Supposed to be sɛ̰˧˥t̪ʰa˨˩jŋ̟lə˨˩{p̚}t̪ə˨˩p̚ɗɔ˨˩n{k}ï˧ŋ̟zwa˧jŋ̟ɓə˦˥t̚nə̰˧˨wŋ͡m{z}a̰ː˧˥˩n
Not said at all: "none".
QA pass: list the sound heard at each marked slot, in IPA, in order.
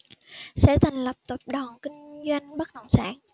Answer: p̚, k, s

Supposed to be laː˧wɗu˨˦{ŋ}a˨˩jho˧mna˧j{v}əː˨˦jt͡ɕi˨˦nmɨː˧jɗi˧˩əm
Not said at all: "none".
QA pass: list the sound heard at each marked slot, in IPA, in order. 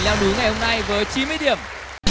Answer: ŋ, v

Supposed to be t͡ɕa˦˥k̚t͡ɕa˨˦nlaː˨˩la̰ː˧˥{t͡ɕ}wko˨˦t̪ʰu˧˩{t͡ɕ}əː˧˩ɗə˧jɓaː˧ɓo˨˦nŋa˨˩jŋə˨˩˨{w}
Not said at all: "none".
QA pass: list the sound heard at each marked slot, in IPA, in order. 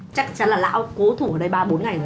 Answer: none, none, none

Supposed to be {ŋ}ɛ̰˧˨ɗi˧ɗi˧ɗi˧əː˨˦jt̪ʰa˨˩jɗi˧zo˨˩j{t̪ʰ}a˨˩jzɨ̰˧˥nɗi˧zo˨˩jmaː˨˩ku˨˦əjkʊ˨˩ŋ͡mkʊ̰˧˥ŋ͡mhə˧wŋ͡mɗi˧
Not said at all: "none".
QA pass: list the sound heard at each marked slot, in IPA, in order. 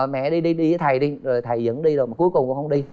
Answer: m, t̪ʰ

